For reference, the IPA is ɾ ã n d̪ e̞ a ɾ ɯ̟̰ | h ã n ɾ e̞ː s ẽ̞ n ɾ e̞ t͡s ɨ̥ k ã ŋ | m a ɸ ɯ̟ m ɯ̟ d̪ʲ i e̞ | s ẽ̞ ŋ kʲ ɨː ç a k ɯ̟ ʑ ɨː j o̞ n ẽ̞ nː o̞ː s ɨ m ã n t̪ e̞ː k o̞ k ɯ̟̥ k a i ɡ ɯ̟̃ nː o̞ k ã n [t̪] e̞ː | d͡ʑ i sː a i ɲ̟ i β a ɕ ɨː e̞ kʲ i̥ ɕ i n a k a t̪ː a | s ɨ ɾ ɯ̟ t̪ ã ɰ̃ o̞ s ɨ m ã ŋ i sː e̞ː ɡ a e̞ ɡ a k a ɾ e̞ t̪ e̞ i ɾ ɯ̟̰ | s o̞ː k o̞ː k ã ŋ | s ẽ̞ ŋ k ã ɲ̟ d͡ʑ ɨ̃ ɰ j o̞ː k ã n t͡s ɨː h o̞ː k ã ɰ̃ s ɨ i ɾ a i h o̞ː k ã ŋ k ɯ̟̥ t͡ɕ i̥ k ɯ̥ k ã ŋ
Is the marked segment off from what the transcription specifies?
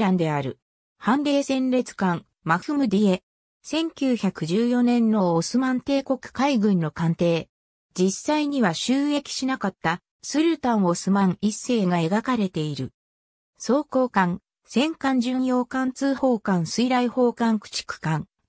no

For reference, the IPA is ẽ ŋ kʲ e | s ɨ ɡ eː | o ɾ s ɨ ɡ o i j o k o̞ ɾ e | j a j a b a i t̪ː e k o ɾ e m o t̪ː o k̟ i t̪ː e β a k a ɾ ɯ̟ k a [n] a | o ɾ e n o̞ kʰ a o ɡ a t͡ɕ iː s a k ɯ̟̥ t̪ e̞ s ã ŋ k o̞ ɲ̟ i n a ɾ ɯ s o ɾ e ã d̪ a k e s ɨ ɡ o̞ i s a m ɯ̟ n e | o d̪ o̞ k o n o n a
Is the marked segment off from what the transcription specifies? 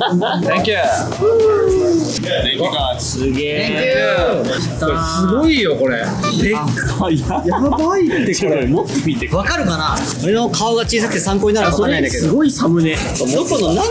no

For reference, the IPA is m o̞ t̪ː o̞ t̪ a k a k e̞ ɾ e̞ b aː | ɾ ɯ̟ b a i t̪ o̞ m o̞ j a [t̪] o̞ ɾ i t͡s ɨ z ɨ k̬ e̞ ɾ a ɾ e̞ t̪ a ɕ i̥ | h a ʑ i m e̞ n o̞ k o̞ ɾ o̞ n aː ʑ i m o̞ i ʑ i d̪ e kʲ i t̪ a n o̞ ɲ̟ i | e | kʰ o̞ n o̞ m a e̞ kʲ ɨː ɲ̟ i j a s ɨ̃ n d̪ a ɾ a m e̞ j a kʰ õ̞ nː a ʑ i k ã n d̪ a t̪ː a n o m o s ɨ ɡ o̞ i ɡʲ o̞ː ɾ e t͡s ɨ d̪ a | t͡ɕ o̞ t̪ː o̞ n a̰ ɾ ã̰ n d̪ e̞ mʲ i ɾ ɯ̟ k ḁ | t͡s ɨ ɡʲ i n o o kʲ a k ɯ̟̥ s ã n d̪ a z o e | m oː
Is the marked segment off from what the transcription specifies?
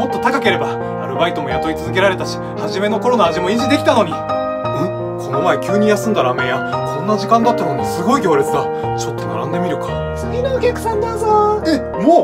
no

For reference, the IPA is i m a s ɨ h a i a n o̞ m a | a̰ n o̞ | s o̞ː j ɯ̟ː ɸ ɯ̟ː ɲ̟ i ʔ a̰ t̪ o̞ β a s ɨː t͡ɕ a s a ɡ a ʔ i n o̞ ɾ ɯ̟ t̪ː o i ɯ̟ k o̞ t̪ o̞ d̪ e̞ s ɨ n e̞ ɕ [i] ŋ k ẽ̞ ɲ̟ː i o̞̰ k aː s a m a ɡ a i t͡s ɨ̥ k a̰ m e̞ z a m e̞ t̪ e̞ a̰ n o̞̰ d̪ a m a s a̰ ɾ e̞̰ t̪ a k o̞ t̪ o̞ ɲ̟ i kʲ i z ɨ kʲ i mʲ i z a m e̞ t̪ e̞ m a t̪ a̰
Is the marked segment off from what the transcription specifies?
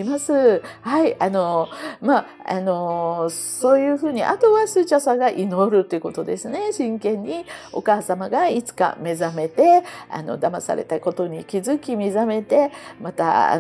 yes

